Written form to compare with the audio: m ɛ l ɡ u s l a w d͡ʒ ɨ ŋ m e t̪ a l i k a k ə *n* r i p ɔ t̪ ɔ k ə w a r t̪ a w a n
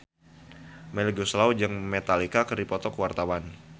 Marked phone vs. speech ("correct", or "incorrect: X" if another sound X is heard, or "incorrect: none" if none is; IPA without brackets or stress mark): incorrect: none